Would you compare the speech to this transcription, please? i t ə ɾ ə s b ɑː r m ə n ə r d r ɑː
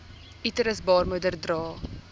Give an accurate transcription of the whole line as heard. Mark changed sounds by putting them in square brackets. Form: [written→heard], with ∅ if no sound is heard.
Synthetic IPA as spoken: i t ə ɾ ə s b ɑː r m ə [n→d] ə r d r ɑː